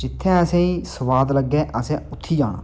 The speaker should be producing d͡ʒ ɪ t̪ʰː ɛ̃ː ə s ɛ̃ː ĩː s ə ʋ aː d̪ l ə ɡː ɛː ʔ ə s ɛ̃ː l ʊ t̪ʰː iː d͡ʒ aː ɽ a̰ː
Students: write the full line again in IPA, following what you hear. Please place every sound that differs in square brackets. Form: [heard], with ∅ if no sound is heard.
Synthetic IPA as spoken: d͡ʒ ɪ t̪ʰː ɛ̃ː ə s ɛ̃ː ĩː s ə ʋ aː d̪ l ə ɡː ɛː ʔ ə s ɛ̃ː [∅] ʊ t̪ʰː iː d͡ʒ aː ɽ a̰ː